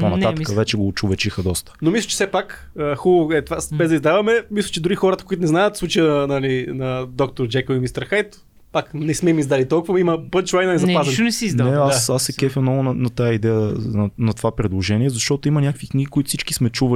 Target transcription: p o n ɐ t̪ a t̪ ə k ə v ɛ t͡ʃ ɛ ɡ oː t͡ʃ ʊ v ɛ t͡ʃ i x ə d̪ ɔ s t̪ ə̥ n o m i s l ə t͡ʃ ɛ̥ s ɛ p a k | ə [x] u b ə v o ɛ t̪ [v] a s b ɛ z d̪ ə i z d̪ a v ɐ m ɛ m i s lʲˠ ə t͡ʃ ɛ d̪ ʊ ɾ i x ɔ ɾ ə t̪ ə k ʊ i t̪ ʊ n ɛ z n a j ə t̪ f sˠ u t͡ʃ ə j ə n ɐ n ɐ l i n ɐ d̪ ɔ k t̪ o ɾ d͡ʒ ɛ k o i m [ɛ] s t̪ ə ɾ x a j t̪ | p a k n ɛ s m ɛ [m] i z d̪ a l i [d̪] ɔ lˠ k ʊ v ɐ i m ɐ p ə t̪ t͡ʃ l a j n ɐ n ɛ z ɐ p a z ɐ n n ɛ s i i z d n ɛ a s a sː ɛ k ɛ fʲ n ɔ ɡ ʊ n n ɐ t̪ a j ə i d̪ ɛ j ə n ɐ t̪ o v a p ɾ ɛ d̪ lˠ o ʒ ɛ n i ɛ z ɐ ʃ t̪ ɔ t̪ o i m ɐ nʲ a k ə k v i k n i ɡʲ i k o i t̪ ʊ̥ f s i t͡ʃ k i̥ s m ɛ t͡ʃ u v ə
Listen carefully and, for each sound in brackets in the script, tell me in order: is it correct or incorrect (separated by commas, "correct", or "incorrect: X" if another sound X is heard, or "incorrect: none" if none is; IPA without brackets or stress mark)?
correct, correct, incorrect: i, correct, incorrect: t̪